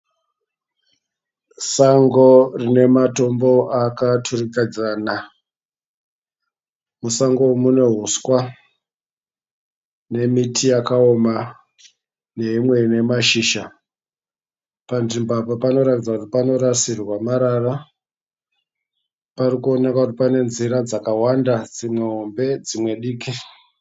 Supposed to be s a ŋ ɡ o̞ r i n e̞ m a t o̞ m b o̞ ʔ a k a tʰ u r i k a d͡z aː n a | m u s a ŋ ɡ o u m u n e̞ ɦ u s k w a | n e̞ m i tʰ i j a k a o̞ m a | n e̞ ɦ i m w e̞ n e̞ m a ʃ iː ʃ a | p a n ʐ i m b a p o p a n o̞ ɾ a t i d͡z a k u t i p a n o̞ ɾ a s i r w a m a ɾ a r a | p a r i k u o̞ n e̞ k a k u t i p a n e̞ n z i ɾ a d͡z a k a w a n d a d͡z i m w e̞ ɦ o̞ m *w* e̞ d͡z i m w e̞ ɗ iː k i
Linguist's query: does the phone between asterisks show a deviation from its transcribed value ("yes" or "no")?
yes